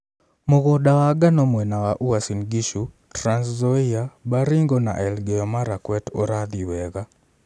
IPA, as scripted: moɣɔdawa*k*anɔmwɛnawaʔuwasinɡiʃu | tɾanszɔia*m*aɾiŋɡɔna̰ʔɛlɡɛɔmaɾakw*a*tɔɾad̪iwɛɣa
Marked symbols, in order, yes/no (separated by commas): no, no, no